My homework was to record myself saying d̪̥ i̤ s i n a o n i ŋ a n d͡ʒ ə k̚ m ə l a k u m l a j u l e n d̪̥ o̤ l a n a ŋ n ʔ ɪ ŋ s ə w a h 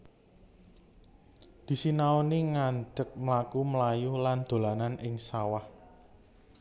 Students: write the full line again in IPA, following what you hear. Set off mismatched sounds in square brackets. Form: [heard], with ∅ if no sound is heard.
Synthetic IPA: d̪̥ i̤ s i n a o n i ŋ a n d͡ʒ ə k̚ m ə l a k u m l a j u l [a] n d̪̥ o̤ l a n a [∅] n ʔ ɪ ŋ s [a] w a h